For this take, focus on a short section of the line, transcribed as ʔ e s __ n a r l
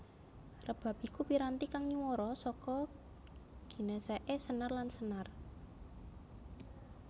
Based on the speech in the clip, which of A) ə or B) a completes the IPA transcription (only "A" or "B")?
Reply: A